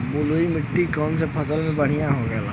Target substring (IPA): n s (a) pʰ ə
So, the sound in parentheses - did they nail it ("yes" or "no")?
no